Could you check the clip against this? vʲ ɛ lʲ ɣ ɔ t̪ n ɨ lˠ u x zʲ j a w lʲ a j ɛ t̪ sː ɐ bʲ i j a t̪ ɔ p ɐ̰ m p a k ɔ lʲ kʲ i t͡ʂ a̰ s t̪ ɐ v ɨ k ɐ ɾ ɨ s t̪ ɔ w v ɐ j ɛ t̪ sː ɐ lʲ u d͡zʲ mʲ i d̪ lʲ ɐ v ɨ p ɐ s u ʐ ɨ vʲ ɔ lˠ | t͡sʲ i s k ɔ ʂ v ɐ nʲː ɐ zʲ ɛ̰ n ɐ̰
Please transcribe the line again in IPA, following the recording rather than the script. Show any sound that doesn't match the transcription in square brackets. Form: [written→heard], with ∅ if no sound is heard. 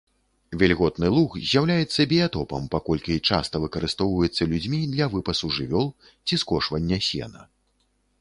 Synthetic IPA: vʲ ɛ lʲ ɣ ɔ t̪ n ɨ lˠ u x zʲ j a w lʲ a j ɛ t̪ sː ɐ bʲ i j a t̪ ɔ p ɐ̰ m p a k ɔ lʲ kʲ i t͡ʂ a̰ s t̪ ɐ v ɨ k ɐ ɾ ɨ s t̪ ɔ w v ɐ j ɛ t̪ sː ɐ lʲ u d͡zʲ mʲ i d̪ lʲ ɐ v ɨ p ɐ s u ʐ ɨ vʲ ɔ lˠ | t͡sʲ i s k ɔ ʂ v ɐ nʲː ɐ [zʲ→sʲ] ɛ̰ n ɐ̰

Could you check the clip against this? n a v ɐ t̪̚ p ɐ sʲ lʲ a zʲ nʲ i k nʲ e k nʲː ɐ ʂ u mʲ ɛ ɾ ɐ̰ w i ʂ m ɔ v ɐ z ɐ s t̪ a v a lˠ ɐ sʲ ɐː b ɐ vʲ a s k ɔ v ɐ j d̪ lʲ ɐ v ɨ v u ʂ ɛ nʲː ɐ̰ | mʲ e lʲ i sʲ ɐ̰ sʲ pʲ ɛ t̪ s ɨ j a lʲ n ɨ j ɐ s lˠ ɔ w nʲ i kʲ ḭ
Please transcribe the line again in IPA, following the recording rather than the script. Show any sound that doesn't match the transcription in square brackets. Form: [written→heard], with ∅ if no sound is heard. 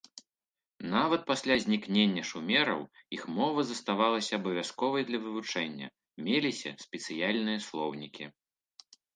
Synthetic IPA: n a v ɐ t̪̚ p [ɐ→a] sʲ lʲ a zʲ nʲ i k nʲ e [k→∅] nʲː ɐ ʂ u mʲ ɛ ɾ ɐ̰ w i [ʂ→x] m ɔ v ɐ z ɐ s t̪ a v a lˠ ɐ sʲ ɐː b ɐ vʲ a s k ɔ v ɐ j d̪ lʲ ɐ v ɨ v u [ʂ→t͡ʂ] ɛ nʲː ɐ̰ | mʲ e lʲ i sʲ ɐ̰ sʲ pʲ ɛ t̪ s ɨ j a lʲ n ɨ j ɐ s lˠ ɔ w nʲ i kʲ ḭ

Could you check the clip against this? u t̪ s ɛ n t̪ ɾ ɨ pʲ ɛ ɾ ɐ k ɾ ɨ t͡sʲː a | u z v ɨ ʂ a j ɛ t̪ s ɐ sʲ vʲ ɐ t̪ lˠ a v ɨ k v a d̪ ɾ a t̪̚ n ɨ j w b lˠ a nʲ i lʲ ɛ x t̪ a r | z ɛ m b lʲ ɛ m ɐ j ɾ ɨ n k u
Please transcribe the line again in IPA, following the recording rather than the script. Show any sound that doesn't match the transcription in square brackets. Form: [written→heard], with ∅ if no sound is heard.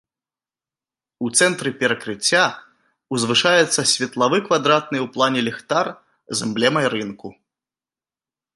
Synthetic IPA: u t̪ s ɛ n t̪ ɾ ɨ pʲ ɛ ɾ ɐ k ɾ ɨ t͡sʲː a | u z v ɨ ʂ a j ɛ t̪ [s→sː] ɐ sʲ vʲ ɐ t̪ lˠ a v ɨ k v a d̪ ɾ a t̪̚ n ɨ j w [b→p] lˠ a nʲ [i→ɛ] lʲ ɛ x t̪ a r | z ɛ m b lʲ ɛ m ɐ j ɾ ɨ n k u

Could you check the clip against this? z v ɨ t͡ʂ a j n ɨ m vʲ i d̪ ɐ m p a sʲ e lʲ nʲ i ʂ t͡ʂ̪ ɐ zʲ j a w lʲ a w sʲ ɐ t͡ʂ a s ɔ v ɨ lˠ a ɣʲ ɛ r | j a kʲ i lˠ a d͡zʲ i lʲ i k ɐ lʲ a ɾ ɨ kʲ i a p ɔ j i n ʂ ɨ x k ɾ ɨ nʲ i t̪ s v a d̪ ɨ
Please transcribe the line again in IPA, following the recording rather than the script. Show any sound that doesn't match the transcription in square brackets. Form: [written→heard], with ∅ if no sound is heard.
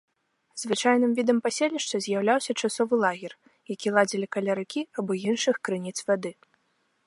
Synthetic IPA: z v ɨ t͡ʂ a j n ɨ m vʲ i d̪ ɐ m p a sʲ e lʲ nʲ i ʂ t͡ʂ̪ ɐ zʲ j a w lʲ a w sʲ ɐ t͡ʂ a s ɔ v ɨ lˠ a ɣʲ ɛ r | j a kʲ i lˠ a d͡zʲ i lʲ i k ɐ lʲ a ɾ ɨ kʲ i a [p→b] ɔ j i n ʂ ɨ x k ɾ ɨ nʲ i t̪ s v a d̪ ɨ

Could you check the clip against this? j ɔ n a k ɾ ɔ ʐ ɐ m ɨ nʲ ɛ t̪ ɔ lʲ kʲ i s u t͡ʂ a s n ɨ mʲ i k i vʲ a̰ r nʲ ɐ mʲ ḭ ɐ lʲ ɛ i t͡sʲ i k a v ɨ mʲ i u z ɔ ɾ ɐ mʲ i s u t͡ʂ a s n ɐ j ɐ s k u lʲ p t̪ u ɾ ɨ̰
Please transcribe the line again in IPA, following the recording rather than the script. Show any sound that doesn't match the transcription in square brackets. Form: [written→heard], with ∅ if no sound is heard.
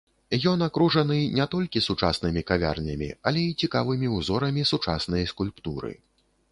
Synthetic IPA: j ɔ n a k ɾ [ɔ→u] ʐ ɐ [m→n] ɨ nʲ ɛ t̪ ɔ lʲ kʲ i s u t͡ʂ a s n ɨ mʲ i k [i→a] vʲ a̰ r nʲ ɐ mʲ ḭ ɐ lʲ ɛ i t͡sʲ i k a v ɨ mʲ i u z ɔ ɾ ɐ mʲ i s u t͡ʂ a s n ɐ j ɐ s k u lʲ p t̪ u ɾ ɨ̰

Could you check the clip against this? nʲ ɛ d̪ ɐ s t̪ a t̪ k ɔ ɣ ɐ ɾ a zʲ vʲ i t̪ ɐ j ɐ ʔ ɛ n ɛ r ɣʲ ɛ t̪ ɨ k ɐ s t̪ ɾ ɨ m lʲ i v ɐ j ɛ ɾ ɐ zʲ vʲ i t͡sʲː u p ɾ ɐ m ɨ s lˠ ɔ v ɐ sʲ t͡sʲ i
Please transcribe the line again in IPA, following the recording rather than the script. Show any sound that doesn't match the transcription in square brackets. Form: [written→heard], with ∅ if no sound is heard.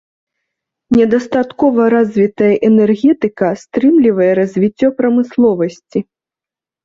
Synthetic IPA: nʲ ɛ d̪ ɐ s t̪ a t̪ k ɔ [ɣ→v] ɐ ɾ a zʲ vʲ i t̪ ɐ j ɐ ʔ ɛ n ɛ r ɣʲ ɛ t̪ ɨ k ɐ s t̪ ɾ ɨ m lʲ i v ɐ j ɛ ɾ ɐ zʲ vʲ i t͡sʲː [u→ɔ] p ɾ ɐ m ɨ s lˠ ɔ v ɐ sʲ t͡sʲ i

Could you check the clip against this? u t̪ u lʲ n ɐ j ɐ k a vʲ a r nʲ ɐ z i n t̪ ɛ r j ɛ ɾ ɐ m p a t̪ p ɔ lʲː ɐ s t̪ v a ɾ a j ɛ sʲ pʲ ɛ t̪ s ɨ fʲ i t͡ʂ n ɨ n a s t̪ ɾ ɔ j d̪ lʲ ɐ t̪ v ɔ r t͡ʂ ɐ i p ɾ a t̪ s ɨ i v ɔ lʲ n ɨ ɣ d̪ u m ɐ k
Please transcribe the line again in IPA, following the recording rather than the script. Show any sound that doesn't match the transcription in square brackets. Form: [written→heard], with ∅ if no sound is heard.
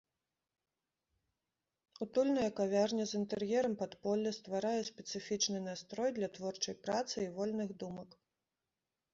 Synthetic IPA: u t̪ u lʲ n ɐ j ɐ k a vʲ a r nʲ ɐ z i n t̪ ɛ r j ɛ ɾ ɐ m p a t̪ p ɔ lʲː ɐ s t̪ v a ɾ a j ɛ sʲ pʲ ɛ t̪ s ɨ fʲ i t͡ʂ n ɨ n a s t̪ ɾ ɔ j d̪ lʲ ɐ t̪ v ɔ r t͡ʂ ɐ [i→j] p ɾ a t̪ s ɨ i v ɔ lʲ n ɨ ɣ d̪ u m ɐ k

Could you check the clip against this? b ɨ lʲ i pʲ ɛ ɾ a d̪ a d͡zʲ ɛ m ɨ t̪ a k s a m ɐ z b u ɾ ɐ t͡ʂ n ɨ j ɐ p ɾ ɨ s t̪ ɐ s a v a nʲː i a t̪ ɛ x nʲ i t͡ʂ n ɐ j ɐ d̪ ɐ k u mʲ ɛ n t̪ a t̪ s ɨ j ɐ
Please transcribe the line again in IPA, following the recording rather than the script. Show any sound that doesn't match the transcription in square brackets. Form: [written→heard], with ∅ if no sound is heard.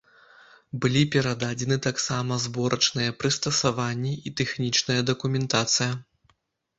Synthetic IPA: b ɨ lʲ i pʲ ɛ ɾ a d̪ a d͡zʲ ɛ [m→n] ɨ t̪ a k s a m ɐ z b [u→ɔ] ɾ ɐ t͡ʂ n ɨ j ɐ p ɾ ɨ s t̪ ɐ s a v a nʲː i [a→i] t̪ ɛ x nʲ i t͡ʂ n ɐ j ɐ d̪ ɐ k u mʲ ɛ n t̪ a t̪ s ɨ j ɐ

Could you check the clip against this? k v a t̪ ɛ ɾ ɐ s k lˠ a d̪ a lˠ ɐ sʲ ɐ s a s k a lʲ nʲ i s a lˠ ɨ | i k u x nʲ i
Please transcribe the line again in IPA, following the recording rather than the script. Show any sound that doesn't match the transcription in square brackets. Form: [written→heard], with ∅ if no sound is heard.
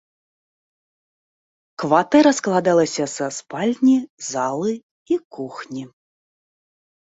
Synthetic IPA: k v a t̪ ɛ ɾ ɐ s k lˠ a d̪ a lˠ ɐ sʲ ɐ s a s [k→p] a lʲ nʲ i [s→z] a lˠ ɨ | i k u x nʲ i

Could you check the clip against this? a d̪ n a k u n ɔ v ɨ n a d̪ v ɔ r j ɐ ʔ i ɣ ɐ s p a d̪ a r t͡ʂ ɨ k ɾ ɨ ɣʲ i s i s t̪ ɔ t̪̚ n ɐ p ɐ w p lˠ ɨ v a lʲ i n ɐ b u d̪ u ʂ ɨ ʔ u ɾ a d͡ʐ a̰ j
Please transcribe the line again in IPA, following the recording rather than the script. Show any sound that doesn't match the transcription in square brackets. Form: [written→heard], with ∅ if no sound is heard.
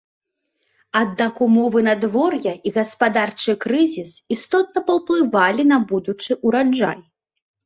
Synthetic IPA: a d̪ n a k u [n→m] ɔ v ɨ n a d̪ v ɔ r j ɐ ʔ i ɣ ɐ s p a d̪ a r t͡ʂ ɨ k ɾ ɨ [ɣʲ→zʲ] i s i s t̪ ɔ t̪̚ n ɐ p ɐ w p lˠ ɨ v a lʲ i n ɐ b u d̪ u [ʂ→t͡ʂ] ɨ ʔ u ɾ a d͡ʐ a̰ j

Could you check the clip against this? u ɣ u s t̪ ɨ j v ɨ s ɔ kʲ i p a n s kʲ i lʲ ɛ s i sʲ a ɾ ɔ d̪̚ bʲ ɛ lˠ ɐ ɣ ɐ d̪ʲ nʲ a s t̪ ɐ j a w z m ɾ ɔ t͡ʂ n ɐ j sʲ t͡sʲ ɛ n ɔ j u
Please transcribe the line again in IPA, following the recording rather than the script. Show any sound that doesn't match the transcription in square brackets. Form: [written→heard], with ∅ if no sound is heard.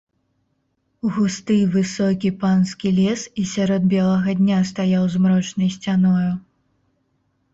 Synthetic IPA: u ɣ u s t̪ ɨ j v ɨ s ɔ kʲ i p a n s kʲ i lʲ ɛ s i sʲ a ɾ ɔ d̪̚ bʲ ɛ lˠ ɐ ɣ ɐ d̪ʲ nʲ a s t̪ [ɐ→a] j a w z m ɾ ɔ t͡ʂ n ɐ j sʲ t͡sʲ [ɛ→a] n ɔ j u

